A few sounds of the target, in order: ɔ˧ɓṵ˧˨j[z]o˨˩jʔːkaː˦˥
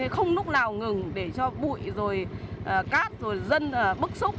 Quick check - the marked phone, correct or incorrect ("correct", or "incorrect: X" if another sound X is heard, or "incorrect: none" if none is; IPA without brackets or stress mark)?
correct